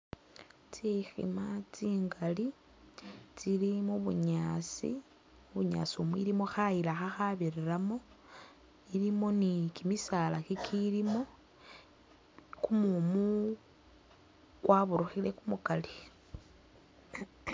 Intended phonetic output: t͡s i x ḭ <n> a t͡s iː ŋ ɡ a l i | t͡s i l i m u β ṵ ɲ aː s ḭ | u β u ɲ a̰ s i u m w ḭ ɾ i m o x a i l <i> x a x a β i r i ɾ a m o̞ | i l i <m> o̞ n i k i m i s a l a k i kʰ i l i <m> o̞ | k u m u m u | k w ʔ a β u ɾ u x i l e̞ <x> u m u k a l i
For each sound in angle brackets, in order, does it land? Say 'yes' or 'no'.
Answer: no, no, yes, yes, no

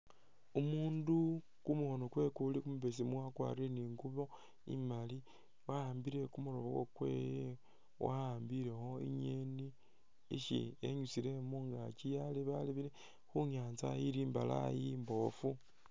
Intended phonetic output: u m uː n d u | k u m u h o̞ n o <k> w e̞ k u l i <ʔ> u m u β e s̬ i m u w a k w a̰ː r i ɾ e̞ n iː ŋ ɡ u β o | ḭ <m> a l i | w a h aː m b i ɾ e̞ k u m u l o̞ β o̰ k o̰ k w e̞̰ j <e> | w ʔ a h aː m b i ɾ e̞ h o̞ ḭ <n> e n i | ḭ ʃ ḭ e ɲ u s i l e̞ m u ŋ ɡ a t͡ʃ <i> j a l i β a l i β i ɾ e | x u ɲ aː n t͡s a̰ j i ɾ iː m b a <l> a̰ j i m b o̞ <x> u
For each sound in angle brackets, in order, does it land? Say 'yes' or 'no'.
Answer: yes, no, yes, yes, no, yes, yes, no

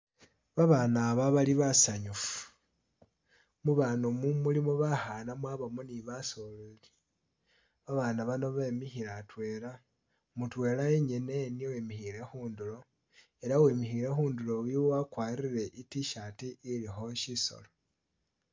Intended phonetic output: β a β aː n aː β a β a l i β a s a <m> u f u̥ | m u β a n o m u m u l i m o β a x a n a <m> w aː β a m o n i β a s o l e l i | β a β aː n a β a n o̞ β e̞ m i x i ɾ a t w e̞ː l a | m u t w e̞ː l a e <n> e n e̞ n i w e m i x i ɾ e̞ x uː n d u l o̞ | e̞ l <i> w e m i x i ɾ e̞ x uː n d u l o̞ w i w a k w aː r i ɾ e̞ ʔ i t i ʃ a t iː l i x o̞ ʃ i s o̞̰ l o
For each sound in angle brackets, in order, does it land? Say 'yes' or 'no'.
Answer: no, yes, no, no

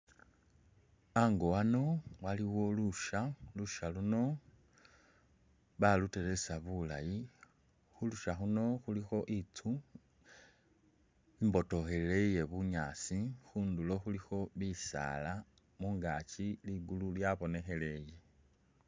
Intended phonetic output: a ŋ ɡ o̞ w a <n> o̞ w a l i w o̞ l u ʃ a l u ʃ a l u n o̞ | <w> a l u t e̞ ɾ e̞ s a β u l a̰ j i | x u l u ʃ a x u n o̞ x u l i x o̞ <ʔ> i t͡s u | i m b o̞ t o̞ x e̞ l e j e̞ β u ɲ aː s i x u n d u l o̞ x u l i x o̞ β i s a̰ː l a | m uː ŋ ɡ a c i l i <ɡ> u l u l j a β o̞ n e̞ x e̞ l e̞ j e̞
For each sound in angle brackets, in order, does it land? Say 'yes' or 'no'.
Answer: yes, no, yes, yes

